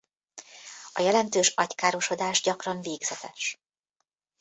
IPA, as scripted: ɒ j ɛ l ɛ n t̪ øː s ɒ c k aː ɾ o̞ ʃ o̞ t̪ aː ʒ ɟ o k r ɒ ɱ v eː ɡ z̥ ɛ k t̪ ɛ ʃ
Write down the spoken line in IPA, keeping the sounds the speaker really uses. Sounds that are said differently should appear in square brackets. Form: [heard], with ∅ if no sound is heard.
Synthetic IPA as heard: ɒ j ɛ l ɛ n t̪ øː [ʃ] ɒ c k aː ɾ o̞ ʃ o̞ [d̪] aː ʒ ɟ [ɒ] k r ɒ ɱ v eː ɡ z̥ ɛ [∅] t̪ ɛ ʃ